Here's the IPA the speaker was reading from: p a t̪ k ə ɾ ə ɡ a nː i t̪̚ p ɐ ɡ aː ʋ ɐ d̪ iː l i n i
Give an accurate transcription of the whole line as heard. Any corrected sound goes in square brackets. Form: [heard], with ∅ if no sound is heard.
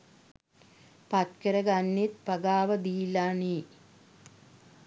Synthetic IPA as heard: p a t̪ k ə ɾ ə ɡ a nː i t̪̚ p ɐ ɡ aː ʋ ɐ d̪ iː l [a] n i